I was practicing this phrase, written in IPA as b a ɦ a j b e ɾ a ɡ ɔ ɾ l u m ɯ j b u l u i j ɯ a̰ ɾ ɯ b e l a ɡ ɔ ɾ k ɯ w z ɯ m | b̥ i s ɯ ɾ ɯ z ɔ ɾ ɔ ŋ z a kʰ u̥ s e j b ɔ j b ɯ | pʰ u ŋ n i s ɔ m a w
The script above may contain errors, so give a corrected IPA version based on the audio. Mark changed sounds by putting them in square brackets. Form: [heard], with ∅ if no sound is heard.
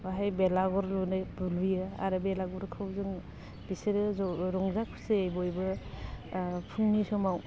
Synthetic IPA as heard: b a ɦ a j b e [l] a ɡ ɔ ɾ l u [n] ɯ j b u l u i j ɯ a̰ ɾ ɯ b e l a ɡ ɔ ɾ [kʰ] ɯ w z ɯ [ŋ] | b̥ i s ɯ ɾ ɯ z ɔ ɾ ɔ ŋ z a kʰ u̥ s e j b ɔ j b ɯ | pʰ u ŋ n i s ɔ m a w